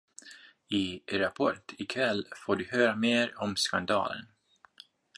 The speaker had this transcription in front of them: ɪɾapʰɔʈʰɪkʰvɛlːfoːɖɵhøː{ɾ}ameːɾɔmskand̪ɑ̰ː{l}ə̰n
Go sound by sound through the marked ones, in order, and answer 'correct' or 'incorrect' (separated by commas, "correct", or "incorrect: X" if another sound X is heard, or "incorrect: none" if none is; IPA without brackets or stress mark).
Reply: correct, correct